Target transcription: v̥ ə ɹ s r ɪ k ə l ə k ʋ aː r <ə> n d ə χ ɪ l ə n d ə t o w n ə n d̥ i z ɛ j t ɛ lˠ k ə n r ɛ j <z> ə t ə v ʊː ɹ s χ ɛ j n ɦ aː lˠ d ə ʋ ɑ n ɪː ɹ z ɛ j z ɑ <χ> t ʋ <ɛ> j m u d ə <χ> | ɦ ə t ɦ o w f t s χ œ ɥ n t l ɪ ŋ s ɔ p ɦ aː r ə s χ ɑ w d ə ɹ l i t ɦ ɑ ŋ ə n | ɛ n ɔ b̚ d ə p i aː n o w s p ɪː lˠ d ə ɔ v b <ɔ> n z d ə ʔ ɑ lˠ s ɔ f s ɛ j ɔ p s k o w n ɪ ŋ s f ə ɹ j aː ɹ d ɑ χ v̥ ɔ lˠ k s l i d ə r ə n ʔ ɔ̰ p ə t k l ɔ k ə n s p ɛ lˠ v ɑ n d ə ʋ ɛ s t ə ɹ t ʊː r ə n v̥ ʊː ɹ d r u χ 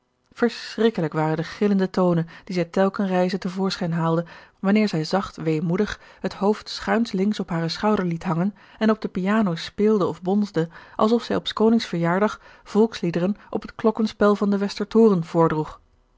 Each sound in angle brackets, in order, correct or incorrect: correct, correct, correct, incorrect: e, correct, correct

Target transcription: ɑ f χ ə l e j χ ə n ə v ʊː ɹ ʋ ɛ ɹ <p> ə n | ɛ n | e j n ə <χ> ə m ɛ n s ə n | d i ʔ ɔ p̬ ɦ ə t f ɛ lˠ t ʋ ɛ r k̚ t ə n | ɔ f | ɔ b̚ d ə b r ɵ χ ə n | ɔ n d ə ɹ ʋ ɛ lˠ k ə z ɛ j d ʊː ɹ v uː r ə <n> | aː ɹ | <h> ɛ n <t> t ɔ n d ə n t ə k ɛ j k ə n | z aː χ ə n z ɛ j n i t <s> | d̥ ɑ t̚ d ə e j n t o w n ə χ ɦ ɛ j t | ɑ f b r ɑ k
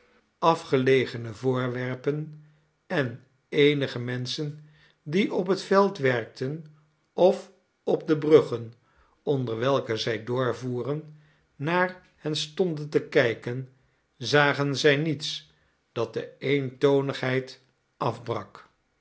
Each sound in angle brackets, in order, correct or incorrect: correct, correct, incorrect: nː, correct, incorrect: s, correct

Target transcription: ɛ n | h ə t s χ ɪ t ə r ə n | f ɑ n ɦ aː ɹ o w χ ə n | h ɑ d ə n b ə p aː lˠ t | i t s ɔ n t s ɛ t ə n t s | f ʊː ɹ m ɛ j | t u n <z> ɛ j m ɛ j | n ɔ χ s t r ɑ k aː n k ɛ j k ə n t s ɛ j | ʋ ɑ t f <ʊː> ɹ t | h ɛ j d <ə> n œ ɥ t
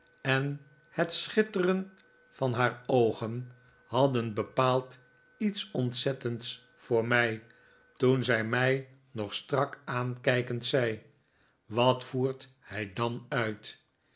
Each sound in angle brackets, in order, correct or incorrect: correct, incorrect: uː, incorrect: ɑ

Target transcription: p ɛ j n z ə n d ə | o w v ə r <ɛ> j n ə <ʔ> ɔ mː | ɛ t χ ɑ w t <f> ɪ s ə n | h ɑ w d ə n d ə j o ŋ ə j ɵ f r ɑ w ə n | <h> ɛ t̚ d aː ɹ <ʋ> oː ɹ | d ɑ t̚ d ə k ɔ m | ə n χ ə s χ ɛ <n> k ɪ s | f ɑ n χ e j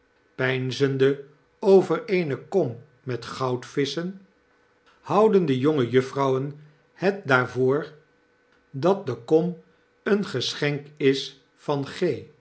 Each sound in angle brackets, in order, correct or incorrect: incorrect: e, incorrect: k, correct, correct, incorrect: v, incorrect: ŋ

